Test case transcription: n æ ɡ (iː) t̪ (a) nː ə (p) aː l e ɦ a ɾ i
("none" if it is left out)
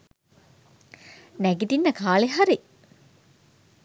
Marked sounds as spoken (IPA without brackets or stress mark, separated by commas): i, i, k